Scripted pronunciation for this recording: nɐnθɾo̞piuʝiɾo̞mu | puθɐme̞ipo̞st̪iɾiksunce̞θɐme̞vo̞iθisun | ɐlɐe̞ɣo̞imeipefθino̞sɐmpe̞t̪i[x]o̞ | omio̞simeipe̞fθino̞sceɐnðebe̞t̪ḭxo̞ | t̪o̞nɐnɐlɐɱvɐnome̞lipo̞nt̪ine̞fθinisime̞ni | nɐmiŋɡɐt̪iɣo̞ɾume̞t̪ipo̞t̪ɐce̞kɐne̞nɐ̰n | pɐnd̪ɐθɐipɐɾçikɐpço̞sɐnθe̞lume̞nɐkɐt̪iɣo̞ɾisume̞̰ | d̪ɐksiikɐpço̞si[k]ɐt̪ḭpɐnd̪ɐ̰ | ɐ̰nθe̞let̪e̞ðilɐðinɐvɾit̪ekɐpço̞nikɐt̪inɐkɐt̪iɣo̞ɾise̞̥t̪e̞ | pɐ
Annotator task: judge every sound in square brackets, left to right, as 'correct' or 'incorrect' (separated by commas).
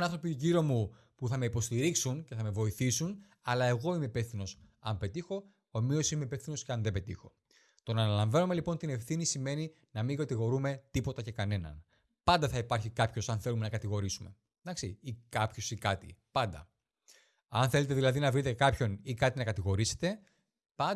correct, correct